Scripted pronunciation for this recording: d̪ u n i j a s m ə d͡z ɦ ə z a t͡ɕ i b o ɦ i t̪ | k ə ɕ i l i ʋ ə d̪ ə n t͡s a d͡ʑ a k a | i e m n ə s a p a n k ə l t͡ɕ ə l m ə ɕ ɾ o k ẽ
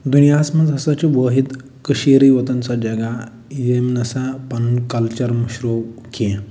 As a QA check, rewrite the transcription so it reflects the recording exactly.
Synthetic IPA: d̪ u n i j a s m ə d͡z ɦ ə s a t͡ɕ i b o ɦ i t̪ | k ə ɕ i ɾ i ʋ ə t̪ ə n t͡s a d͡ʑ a ɡ a | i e m n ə s a p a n k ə l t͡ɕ ə ɾ m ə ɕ ɾ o k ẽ